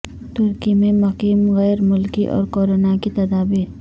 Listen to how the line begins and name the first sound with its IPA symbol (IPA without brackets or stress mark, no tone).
t̪